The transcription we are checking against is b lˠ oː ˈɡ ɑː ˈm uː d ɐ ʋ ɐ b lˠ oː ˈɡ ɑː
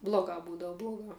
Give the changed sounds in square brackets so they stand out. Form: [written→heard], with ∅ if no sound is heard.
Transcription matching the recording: b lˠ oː ˈɡ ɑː [ˈm→ˈb] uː d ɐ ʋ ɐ b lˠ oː ˈɡ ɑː